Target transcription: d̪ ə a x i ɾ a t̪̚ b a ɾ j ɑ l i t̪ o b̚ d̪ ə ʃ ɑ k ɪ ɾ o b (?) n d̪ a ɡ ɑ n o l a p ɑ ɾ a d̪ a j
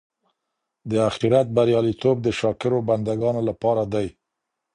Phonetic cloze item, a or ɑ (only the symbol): a